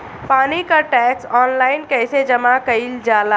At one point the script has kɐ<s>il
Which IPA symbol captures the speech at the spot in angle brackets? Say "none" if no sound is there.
none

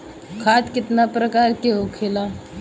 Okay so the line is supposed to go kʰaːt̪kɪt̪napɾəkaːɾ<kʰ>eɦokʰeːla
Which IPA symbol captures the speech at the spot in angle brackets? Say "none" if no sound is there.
k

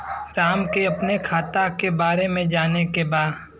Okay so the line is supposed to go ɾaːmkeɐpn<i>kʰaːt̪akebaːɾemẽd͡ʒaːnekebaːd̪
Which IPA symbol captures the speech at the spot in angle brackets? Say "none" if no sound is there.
e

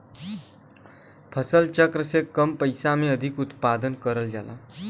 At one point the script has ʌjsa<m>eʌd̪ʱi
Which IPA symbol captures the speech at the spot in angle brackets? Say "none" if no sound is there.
m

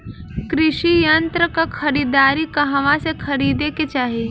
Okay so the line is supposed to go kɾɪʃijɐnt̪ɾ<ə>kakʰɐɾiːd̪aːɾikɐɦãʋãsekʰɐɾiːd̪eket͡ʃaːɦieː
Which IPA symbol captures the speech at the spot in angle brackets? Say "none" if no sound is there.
ə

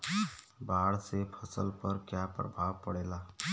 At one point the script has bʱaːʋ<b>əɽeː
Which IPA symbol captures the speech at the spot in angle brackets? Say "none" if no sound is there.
p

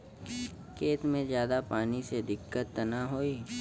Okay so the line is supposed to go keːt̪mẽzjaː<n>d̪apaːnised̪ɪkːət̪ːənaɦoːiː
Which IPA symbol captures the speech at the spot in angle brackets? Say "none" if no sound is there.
none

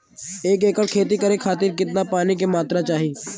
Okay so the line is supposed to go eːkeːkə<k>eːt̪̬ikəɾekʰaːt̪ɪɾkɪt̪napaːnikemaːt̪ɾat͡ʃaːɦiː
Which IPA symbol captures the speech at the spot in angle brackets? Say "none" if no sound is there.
kʰ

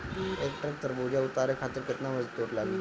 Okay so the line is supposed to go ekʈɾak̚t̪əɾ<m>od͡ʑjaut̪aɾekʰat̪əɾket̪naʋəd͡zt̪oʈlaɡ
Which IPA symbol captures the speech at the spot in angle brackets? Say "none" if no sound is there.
b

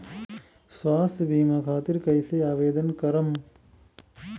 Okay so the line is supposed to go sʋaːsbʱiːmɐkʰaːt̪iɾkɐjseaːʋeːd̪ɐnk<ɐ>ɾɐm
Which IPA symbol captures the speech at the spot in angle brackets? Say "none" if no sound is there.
ɐ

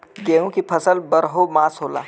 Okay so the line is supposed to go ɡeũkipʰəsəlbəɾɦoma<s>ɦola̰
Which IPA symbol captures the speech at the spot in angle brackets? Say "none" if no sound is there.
s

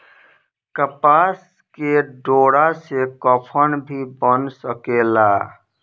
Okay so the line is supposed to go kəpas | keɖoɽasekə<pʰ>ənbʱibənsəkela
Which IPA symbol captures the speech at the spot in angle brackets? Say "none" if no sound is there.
pʰ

